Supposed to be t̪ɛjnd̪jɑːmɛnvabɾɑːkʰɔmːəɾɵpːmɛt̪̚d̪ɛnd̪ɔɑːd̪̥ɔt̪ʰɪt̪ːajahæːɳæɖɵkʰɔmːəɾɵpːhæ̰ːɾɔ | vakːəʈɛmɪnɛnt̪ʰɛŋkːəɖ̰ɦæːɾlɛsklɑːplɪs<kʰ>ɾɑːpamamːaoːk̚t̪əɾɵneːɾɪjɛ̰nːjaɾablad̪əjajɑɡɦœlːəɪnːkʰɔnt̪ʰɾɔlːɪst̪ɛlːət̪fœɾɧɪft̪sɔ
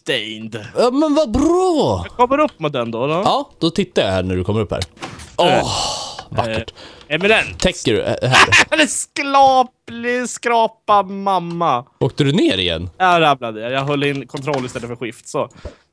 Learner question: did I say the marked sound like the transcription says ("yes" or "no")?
no